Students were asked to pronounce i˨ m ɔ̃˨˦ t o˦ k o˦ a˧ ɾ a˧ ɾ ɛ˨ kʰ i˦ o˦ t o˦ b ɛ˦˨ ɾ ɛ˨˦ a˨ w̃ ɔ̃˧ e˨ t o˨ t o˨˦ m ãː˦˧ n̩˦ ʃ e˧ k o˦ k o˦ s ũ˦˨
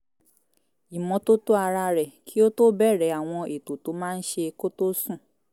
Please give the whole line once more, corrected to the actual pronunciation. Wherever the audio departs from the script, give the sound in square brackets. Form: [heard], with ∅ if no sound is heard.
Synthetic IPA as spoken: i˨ m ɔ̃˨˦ t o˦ [t] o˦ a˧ ɾ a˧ ɾ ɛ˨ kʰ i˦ o˦ t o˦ b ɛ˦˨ ɾ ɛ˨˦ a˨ w̃ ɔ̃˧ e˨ t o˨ t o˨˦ m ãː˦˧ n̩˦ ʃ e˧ k o˦ [t] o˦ s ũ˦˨